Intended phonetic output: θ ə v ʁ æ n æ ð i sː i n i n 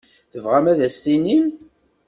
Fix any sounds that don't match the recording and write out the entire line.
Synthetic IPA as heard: θ ə v ʁ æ m æ ð æ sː i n i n